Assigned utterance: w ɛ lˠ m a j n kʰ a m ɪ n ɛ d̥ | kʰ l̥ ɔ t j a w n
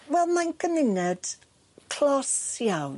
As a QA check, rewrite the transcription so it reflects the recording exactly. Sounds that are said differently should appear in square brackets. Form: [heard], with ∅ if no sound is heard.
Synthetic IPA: w ɛ lˠ m a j n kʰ [ə] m ɪ n ɛ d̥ | kʰ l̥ ɔ [s] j a w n